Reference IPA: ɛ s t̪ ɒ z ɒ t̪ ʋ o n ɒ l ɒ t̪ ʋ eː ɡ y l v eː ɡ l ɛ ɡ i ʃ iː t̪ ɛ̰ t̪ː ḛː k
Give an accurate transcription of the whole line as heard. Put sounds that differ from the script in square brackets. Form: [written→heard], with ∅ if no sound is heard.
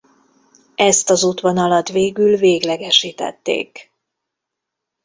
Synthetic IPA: ɛ s t̪ ɒ z [ɒ→u] t̪ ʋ o n ɒ l ɒ t̪ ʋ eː ɡ y l v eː ɡ l ɛ ɡ [i→ɛ] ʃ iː t̪ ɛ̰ t̪ː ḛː k